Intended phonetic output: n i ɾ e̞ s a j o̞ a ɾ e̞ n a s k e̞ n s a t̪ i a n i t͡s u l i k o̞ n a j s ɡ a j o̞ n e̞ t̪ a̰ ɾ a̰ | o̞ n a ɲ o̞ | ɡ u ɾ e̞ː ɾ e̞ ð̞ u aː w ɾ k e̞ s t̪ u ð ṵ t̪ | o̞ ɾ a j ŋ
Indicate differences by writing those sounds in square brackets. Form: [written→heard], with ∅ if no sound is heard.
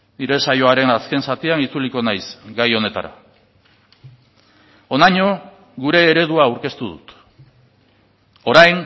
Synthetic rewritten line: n i ɾ e̞ s a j o̞ a ɾ e̞ n a s k e̞ n s a t̪ i a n i t͡s u l i k o̞ n a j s ɡ a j o̞ n e̞ t̪ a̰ ɾ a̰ | o̞ n a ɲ o̞ | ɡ u ɾ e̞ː ɾ e̞ ð̞ u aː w ɾ k e̞ s t̪ u ð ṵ t̪ | o̞ ɾ a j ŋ